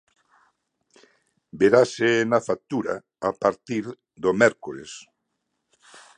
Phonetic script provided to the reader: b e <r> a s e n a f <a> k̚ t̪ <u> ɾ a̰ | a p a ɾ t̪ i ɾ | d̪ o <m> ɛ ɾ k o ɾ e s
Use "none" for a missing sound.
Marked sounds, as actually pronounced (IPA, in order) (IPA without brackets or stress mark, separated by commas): ɾ, a, u, m